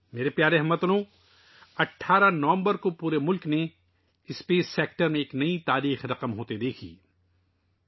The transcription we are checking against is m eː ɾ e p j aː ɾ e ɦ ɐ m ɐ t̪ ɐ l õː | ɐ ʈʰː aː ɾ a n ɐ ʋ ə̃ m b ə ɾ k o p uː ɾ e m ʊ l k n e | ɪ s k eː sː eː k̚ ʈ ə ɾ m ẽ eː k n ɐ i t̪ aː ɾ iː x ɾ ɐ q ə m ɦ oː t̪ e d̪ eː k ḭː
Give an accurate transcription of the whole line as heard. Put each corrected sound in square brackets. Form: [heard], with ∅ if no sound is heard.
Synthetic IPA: m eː ɾ e p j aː ɾ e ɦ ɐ m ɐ t̪ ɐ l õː | ɐ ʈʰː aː ɾ a n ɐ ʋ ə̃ m b ə ɾ k o p uː ɾ e m ʊ l k n e | ɪ s [p] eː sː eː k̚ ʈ ə ɾ m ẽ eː k n ɐ i t̪ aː ɾ iː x ɾ ɐ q ə m ɦ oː t̪ e d̪ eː [kʰ] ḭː